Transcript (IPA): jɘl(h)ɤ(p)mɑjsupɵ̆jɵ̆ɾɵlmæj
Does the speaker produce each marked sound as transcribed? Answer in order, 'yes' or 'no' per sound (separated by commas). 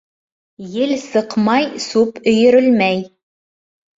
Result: no, no